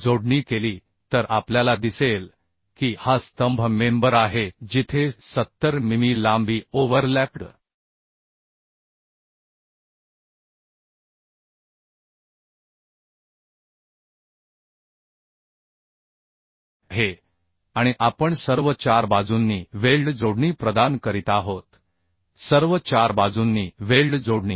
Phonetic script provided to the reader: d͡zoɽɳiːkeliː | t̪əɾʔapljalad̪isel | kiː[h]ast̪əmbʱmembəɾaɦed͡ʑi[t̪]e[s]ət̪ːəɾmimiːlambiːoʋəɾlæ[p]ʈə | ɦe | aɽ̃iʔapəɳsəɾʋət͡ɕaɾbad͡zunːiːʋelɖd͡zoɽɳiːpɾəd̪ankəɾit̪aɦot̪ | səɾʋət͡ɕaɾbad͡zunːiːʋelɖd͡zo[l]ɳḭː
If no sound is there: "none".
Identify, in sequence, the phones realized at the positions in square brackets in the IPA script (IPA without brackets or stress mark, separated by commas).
h, t̪ʰ, s, p, ɽ